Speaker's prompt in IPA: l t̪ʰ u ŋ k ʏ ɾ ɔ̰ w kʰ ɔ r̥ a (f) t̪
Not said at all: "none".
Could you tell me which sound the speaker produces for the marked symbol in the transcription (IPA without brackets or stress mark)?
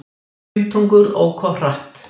h